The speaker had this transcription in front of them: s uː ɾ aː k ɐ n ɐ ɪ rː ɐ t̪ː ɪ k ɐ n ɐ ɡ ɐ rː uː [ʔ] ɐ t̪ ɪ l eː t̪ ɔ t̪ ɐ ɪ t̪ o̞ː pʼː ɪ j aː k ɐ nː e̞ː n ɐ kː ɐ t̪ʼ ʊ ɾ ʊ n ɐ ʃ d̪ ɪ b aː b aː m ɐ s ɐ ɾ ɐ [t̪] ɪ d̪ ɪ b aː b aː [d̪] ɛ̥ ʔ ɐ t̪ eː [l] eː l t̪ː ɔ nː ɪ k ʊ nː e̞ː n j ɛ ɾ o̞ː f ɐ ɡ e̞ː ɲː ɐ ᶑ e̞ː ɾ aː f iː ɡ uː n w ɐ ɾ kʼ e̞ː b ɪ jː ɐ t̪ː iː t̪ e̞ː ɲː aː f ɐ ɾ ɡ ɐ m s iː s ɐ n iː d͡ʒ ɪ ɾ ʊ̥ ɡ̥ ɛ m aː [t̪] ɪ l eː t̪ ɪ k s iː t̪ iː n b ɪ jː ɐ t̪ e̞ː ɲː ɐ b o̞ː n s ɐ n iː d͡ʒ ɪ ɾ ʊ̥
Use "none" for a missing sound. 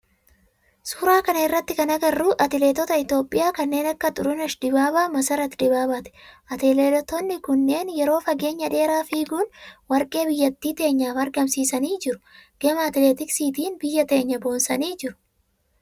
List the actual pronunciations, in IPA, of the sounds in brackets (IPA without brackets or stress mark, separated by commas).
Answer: ʔ, t̪, t̪, l, t̪